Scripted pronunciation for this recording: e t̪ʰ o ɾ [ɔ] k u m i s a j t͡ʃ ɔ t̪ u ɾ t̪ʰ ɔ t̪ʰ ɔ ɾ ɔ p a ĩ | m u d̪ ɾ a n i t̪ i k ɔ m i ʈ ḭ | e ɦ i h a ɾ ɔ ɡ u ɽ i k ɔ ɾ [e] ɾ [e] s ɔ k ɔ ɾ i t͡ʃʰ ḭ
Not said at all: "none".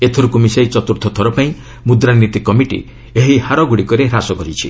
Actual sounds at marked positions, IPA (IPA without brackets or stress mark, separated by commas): u, e, a